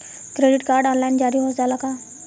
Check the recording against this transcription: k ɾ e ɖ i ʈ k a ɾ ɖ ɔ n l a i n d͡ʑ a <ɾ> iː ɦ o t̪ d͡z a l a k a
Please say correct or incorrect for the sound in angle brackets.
correct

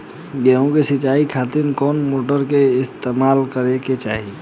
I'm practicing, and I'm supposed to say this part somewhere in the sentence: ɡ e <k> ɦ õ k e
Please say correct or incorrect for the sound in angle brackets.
incorrect: none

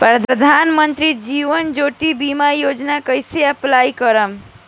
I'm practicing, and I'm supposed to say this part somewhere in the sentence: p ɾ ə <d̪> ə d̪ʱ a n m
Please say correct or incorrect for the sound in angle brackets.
correct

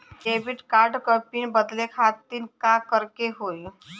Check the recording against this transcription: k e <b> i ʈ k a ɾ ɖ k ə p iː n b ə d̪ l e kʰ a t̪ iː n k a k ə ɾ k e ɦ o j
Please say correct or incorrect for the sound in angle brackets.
correct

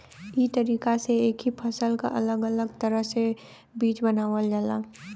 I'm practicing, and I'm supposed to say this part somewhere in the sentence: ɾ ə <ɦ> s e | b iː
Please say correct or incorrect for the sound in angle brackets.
correct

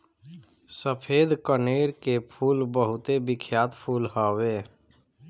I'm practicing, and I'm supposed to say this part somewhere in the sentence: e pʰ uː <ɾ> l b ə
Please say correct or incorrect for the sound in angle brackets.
incorrect: none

